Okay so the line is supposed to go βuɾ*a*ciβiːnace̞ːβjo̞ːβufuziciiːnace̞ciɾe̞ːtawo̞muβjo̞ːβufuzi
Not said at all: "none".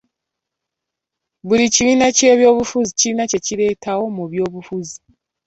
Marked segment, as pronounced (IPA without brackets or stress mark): i